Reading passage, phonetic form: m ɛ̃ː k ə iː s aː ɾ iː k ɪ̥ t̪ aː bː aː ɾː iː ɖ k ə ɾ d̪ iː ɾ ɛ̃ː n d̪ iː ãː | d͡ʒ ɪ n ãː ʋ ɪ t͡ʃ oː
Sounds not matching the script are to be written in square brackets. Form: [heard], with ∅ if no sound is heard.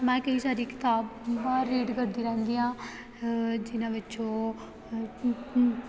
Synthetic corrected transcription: m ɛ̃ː k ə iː s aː ɾ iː k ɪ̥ t̪ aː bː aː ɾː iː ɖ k ə ɾ d̪ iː ɾ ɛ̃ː n d̪ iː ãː | d͡ʒ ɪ n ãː ʋ ɪ t͡ʃ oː